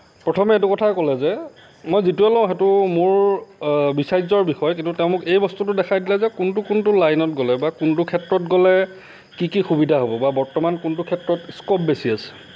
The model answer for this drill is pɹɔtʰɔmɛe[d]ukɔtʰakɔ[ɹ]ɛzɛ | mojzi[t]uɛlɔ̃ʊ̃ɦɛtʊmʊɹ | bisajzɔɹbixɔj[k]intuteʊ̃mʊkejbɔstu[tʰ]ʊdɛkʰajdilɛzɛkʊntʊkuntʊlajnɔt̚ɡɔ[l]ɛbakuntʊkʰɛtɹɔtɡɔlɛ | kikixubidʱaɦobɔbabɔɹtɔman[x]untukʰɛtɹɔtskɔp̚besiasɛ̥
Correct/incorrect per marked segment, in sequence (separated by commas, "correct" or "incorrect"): incorrect, incorrect, correct, correct, incorrect, correct, incorrect